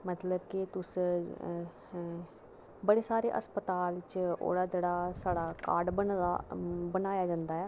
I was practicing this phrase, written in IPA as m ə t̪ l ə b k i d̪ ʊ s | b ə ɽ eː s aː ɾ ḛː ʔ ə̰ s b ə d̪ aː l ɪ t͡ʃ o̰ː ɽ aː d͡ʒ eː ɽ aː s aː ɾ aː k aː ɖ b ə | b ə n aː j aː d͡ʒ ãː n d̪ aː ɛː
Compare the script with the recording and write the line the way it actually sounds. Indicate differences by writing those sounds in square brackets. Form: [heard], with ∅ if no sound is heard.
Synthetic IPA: m ə t̪ l ə b k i [t̪] ʊ s | b ə ɽ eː s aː ɾ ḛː ʔ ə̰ s [p] ə [t̪] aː l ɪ t͡ʃ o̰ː ɽ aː d͡ʒ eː ɽ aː s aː [ɽ] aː k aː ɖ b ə | b ə n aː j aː d͡ʒ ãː n d̪ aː ɛː